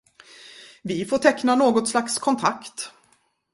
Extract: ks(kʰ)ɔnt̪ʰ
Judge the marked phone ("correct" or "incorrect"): correct